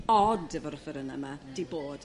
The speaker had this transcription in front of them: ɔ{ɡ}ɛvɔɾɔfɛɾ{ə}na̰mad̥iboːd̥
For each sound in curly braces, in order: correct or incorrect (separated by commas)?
incorrect, correct